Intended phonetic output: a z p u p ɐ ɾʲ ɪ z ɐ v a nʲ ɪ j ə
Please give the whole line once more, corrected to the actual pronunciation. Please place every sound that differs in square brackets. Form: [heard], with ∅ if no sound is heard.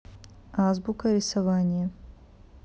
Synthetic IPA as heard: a z [b] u [k] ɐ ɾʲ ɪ [s] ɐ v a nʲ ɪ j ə